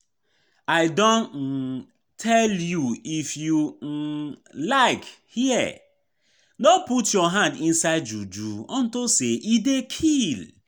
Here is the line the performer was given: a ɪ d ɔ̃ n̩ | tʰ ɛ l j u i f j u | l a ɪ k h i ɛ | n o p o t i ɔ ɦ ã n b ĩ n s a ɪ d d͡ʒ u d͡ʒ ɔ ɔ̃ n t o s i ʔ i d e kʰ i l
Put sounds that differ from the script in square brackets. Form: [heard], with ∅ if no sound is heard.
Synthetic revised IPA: a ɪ d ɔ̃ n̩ | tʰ ɛ l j u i f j u | l a ɪ k h i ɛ | n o p [u] t [j] ɔ ɦ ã n [d] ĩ n s a ɪ d d͡ʒ u d͡ʒ [u] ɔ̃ n t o s [e] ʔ i d e kʰ i l